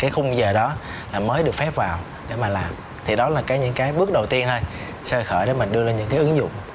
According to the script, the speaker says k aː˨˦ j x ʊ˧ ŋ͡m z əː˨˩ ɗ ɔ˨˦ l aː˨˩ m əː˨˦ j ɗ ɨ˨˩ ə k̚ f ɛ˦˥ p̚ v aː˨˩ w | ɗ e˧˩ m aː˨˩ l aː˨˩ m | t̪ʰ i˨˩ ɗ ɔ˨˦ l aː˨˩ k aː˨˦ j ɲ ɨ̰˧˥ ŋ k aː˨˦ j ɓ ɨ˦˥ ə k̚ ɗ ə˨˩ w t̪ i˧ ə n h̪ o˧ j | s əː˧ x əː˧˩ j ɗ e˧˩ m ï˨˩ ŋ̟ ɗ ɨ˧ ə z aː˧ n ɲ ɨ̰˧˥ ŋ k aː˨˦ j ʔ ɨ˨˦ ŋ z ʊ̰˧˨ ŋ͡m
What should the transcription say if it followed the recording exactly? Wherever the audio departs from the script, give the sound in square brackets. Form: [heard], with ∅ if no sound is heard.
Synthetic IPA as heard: k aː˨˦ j x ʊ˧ ŋ͡m z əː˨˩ ɗ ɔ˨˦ l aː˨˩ m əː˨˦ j ɗ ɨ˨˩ ə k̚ f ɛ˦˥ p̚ v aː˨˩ w | ɗ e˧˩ m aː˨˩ l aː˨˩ m | t̪ʰ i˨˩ ɗ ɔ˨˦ l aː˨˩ k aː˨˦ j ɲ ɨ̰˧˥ ŋ k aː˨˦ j ɓ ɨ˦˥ ə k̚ ɗ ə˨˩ w t̪ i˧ ə n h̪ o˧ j | s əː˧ x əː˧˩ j ɗ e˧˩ m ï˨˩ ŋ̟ ɗ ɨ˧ ə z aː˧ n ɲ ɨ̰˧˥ ŋ k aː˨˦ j ʔ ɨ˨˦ ŋ z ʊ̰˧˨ ŋ͡m